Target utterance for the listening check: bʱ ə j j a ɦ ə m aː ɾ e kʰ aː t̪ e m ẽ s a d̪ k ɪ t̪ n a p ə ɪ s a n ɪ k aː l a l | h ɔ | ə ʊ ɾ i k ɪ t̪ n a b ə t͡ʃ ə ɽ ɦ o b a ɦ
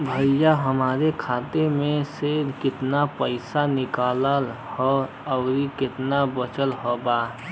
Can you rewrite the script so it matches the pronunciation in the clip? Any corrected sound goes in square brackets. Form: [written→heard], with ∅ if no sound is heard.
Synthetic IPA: bʱ ə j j a ɦ ə m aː ɾ e kʰ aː t̪ e m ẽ s [a→e] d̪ k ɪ t̪ n a p ə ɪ s a n ɪ k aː l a l | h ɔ | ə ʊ ɾ i k ɪ t̪ n a b ə t͡ʃ ə [ɽ→l] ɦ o b a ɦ